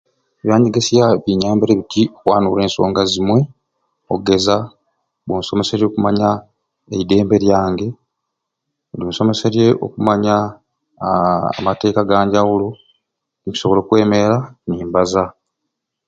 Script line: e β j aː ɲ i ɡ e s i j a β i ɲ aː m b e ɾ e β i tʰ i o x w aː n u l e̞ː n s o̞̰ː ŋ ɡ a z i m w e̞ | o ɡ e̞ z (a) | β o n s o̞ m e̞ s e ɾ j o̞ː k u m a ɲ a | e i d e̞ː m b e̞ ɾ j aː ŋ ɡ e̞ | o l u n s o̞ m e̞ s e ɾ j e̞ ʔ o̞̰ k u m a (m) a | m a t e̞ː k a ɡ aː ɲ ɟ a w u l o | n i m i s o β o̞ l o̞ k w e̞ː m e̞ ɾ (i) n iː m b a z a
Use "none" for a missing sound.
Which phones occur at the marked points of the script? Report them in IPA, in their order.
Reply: a, ɲ, a

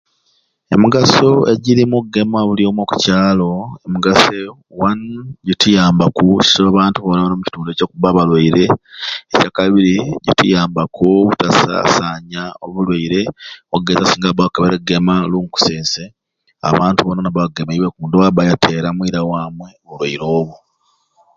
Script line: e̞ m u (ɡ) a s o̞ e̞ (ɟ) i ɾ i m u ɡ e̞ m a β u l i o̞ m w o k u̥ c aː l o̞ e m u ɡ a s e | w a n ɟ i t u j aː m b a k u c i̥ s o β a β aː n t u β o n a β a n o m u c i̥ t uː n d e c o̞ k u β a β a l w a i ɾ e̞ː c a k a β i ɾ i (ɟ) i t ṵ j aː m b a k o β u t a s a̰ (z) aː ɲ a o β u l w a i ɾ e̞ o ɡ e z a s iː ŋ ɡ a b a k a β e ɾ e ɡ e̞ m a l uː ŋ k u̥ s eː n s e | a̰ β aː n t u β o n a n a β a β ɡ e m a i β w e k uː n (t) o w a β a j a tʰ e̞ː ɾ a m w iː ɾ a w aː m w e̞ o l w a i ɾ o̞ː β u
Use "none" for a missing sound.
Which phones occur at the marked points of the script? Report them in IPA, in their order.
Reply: ɡ, ɟ, ɟ, s, d

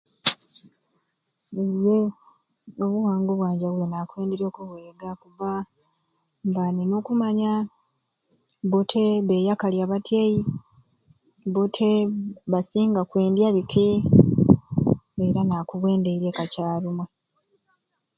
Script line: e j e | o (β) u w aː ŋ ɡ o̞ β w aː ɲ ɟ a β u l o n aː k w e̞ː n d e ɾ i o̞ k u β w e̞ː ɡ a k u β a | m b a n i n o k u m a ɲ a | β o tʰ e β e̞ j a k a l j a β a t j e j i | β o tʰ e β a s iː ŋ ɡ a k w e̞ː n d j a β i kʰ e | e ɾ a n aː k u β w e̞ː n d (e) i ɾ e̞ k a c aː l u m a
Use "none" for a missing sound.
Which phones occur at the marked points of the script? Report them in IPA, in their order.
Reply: β, e

